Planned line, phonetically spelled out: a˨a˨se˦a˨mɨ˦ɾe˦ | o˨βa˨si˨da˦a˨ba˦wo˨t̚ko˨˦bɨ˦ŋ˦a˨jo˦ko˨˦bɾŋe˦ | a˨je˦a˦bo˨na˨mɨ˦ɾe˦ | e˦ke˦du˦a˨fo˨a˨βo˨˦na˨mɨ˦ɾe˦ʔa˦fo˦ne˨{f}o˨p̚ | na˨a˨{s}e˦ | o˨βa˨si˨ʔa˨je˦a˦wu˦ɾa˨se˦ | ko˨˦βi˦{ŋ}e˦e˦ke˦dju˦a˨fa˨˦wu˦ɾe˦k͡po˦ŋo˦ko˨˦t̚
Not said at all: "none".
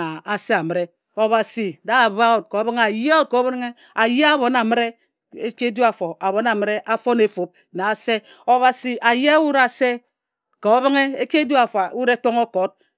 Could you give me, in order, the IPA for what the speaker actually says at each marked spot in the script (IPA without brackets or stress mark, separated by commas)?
f, s, ŋ